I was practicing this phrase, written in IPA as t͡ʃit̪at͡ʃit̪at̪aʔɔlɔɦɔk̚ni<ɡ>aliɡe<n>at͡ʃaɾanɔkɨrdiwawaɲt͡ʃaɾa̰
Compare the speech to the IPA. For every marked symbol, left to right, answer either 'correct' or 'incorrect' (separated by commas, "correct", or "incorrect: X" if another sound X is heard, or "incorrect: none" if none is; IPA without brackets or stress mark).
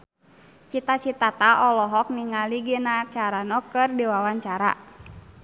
incorrect: ŋ, correct